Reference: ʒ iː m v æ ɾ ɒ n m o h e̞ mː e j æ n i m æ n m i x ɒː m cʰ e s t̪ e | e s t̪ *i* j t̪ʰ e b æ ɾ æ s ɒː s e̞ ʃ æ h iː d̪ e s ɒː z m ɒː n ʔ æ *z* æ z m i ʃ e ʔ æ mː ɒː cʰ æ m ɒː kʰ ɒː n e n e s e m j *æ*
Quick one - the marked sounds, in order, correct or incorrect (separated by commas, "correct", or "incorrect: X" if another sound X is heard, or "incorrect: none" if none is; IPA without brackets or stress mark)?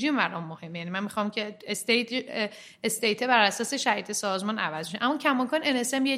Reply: incorrect: e, incorrect: v, incorrect: e